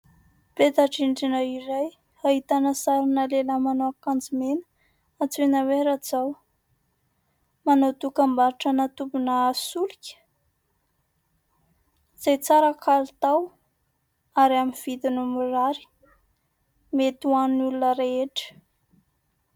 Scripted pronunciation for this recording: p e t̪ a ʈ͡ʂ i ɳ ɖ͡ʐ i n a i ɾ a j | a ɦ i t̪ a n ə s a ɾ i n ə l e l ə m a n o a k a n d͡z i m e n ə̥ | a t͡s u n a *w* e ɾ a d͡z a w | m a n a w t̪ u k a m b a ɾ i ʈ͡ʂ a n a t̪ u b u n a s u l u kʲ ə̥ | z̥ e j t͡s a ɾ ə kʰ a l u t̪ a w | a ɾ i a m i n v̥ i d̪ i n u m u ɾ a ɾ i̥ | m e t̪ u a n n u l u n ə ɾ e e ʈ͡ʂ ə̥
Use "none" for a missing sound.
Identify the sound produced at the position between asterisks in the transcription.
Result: w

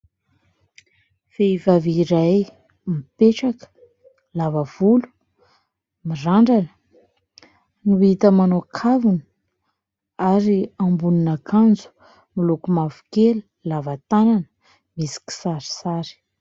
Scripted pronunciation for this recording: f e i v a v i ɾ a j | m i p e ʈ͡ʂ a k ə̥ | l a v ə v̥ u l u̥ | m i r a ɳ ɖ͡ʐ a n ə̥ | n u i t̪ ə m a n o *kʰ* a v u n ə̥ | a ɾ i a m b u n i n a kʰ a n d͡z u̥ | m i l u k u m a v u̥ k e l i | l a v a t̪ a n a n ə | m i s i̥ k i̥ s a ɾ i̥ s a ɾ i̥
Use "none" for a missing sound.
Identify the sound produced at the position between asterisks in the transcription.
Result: kʰ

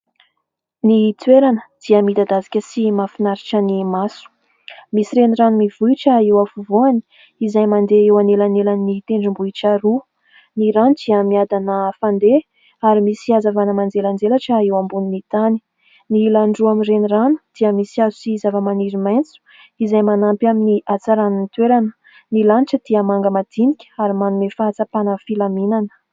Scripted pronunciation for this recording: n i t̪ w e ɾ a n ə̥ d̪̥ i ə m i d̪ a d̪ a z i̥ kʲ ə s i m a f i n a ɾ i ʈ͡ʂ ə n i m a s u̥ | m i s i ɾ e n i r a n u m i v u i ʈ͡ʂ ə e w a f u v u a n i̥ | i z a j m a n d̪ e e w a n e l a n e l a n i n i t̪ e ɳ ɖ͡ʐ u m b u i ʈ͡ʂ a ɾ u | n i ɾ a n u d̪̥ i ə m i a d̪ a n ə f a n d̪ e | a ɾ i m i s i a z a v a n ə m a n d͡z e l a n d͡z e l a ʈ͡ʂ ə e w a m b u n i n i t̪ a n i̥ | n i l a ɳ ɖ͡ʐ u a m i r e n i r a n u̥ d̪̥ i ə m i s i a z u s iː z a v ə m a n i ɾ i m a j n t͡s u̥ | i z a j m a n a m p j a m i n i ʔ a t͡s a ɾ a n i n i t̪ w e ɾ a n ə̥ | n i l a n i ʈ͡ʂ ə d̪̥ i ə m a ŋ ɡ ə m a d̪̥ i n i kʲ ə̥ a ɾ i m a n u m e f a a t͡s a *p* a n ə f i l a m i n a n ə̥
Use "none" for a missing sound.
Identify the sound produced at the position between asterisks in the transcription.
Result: p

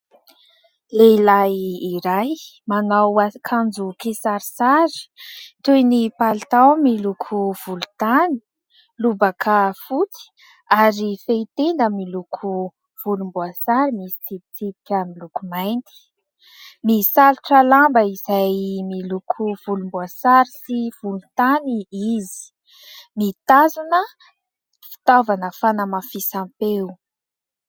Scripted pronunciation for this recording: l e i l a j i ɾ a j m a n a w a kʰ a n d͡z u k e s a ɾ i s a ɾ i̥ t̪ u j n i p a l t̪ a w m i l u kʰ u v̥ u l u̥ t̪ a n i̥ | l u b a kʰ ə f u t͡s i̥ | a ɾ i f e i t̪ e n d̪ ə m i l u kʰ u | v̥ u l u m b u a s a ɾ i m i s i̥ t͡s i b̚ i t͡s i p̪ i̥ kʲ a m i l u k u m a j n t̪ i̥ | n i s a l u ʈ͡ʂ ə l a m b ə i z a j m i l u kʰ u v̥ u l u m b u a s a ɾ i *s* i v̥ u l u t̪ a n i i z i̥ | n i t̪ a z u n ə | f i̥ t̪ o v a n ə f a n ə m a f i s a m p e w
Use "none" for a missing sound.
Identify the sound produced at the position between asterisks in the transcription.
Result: s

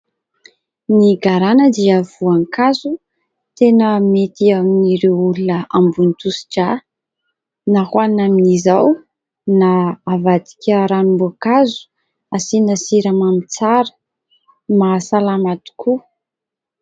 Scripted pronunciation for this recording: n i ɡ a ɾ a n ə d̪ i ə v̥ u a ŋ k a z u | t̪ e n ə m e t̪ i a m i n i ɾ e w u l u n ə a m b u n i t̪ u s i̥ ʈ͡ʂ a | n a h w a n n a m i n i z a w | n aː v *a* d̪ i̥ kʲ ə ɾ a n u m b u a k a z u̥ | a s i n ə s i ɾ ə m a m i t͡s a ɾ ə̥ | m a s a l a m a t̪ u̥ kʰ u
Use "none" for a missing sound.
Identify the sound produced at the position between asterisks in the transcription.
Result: a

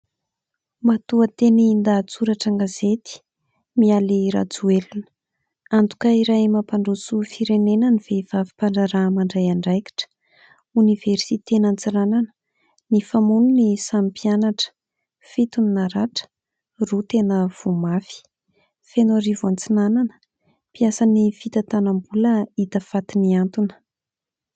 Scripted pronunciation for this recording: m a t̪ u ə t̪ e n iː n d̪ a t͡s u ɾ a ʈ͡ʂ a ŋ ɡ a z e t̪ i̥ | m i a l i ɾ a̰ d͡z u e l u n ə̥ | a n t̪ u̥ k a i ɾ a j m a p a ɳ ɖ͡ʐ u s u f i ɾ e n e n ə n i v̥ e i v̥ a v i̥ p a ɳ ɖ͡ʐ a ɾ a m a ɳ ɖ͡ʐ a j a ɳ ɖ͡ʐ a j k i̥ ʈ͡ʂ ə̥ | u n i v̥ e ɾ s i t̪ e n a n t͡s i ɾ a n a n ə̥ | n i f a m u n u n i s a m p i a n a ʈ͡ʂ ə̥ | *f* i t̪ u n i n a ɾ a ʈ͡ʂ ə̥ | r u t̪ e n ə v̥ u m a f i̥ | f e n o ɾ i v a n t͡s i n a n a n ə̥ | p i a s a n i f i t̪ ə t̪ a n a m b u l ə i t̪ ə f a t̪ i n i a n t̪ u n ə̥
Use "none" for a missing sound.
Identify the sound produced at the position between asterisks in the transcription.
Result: f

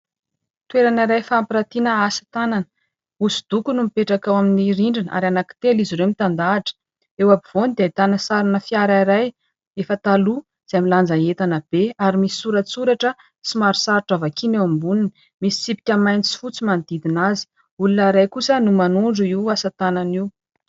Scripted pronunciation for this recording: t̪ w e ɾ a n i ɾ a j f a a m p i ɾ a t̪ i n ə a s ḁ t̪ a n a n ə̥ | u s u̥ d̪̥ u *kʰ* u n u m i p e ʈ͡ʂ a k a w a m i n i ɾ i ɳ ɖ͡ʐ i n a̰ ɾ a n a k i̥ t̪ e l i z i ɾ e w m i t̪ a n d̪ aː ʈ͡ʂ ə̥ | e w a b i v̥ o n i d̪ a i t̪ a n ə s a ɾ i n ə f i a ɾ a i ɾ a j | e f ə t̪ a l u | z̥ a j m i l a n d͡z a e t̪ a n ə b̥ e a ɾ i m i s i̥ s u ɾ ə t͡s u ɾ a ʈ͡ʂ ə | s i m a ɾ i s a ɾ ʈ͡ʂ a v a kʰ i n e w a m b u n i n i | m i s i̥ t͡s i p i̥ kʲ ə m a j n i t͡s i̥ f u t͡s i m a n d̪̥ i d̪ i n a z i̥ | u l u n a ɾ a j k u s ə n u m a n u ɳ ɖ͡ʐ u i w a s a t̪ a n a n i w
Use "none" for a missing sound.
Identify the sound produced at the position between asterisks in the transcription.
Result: k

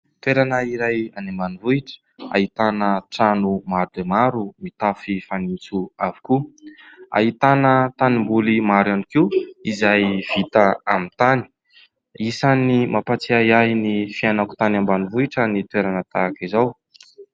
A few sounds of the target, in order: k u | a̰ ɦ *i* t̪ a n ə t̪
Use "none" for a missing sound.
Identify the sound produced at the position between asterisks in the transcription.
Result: i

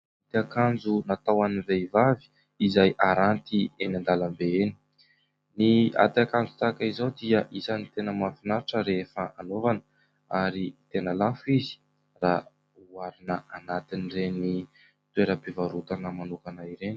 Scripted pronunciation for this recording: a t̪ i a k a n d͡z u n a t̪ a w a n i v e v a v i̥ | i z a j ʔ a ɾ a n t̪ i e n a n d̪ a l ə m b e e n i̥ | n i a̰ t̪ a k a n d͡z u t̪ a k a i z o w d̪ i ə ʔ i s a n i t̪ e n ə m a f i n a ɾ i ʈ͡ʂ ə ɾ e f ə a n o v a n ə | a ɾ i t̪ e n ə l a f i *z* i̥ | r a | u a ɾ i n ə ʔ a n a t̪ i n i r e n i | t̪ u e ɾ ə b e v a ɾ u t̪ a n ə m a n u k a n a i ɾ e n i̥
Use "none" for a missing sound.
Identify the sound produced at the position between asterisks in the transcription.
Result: z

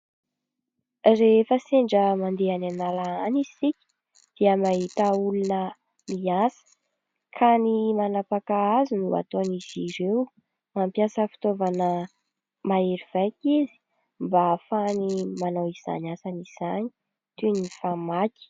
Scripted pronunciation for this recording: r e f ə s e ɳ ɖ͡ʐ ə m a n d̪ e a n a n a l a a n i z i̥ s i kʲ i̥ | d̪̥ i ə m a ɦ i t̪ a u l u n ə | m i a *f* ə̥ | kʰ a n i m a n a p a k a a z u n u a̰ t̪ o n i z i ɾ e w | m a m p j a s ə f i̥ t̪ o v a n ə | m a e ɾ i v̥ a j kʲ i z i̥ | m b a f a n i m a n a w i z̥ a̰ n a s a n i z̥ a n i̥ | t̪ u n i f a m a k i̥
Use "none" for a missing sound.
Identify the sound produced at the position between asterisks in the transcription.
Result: s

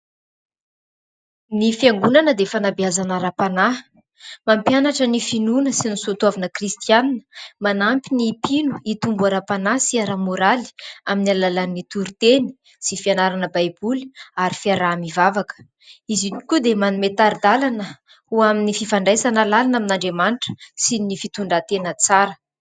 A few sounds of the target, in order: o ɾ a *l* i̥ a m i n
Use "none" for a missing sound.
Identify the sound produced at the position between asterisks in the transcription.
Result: l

